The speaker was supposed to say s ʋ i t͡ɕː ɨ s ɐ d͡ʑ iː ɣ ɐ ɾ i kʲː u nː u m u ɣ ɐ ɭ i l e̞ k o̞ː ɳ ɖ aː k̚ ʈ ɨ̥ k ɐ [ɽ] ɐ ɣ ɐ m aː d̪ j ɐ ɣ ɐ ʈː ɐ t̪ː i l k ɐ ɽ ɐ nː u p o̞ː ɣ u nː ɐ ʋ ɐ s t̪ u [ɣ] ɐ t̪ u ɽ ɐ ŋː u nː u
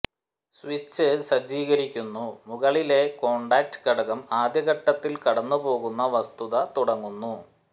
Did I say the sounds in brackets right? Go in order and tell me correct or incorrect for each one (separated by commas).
correct, incorrect